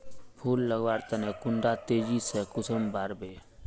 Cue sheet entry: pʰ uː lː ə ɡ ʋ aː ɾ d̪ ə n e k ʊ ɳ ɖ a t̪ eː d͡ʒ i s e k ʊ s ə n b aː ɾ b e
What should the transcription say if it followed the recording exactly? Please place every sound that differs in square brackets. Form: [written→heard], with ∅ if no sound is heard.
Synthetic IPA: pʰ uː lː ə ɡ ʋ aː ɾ [d̪→t̪] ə n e k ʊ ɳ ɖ a t̪ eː d͡ʒ i s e k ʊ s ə [n→m] b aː ɾ b e